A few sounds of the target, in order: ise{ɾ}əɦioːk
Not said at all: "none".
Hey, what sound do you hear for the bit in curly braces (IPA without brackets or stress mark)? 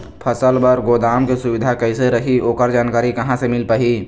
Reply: ɾ